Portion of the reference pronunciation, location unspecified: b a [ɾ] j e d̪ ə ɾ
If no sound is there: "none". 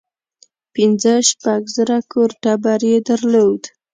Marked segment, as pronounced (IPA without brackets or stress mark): ɾ